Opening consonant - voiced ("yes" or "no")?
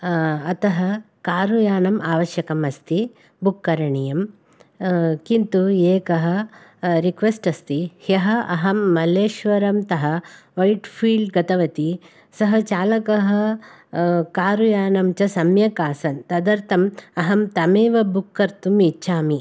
no